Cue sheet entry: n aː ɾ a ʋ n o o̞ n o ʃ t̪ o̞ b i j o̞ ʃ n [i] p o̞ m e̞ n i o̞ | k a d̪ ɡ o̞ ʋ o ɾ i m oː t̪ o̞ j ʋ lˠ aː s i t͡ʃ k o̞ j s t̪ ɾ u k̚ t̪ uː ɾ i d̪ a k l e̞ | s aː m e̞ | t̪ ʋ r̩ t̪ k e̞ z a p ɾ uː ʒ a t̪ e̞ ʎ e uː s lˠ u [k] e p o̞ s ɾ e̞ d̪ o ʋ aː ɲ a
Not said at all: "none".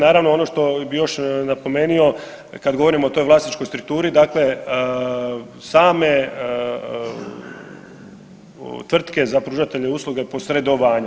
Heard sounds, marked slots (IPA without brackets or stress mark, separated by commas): a, ɡ